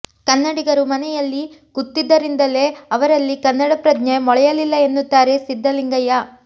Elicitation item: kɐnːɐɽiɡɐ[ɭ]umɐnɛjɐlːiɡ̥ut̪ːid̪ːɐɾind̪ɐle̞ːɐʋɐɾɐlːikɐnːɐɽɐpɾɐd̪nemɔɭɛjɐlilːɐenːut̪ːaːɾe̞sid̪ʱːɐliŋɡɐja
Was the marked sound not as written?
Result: yes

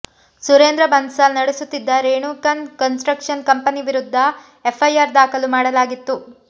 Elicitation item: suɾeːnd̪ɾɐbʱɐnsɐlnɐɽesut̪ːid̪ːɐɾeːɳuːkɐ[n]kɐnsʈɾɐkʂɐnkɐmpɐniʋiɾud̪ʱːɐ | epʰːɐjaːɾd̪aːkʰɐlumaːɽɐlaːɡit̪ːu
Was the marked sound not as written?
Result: no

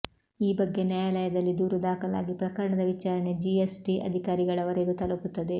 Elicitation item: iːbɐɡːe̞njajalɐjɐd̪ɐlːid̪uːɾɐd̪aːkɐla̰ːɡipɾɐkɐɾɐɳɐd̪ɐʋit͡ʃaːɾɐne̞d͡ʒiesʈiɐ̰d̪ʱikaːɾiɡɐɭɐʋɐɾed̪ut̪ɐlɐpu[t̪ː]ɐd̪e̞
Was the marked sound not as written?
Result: no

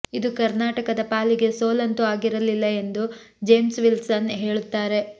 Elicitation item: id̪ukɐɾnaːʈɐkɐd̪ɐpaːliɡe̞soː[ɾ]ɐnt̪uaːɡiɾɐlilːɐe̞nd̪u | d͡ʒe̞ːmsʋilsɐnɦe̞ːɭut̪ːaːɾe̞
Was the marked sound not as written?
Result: yes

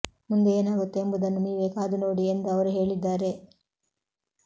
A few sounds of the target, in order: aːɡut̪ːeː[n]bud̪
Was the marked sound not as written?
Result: yes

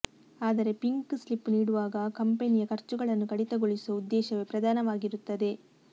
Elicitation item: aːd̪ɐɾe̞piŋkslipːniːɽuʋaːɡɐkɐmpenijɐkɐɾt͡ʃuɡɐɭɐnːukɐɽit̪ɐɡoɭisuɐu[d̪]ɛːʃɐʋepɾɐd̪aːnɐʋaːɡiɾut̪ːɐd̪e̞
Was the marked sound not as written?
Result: yes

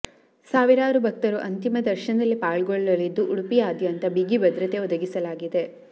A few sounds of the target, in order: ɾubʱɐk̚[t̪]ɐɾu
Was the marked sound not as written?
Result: no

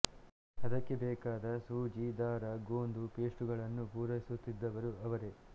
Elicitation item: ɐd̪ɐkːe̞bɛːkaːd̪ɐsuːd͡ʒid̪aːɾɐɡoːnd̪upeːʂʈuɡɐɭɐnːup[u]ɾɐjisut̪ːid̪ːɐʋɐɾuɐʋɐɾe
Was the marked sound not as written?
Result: yes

